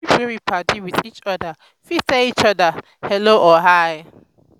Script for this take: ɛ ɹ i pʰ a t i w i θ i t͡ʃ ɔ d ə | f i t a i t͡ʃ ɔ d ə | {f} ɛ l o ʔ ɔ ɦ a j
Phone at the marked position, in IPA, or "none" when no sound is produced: h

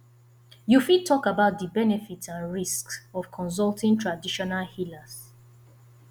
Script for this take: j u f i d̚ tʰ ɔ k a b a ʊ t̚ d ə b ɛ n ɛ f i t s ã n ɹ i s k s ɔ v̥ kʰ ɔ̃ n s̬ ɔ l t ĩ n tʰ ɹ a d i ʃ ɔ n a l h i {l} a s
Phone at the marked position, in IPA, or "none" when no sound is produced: l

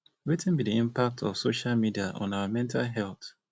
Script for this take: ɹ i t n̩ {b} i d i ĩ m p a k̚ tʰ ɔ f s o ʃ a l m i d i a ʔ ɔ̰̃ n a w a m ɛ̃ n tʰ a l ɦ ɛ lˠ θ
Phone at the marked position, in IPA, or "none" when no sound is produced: b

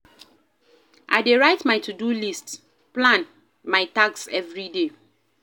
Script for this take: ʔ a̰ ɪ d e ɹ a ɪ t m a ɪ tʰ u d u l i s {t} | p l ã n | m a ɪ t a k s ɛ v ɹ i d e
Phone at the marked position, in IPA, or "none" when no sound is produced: t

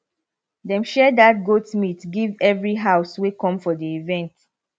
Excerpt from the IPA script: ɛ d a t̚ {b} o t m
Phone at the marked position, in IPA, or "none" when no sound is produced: ɡ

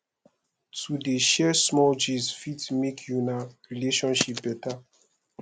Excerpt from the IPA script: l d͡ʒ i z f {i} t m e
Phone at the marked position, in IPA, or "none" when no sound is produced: i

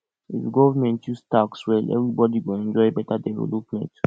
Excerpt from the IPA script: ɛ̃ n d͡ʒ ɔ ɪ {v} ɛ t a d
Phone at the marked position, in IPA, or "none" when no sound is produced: b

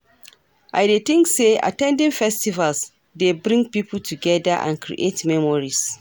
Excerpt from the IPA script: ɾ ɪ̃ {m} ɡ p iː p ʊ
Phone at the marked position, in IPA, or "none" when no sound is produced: ŋ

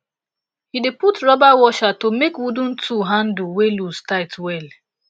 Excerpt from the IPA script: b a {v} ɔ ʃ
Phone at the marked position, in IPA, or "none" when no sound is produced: w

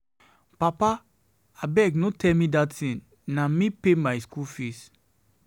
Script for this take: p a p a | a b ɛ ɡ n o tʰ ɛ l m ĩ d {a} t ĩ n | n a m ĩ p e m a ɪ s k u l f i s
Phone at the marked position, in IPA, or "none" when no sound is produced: a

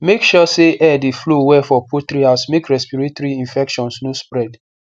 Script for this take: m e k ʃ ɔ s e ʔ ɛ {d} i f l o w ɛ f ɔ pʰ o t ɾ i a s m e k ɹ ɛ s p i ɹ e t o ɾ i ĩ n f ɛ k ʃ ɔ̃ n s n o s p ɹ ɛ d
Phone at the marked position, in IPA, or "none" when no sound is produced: d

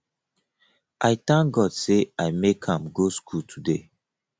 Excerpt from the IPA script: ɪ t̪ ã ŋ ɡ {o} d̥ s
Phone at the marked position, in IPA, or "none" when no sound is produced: ɔ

